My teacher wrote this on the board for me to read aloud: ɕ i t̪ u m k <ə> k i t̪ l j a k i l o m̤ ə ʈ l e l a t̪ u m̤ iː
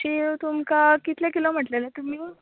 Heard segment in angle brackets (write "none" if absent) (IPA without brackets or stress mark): a